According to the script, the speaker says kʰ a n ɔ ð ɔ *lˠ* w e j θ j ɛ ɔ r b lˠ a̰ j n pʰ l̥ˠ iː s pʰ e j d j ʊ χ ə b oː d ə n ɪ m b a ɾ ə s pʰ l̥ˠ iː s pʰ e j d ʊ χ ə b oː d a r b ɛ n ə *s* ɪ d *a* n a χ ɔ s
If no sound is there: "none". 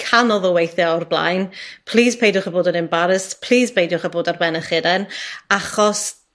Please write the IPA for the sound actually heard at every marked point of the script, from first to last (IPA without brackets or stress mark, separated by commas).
none, χ, ɛ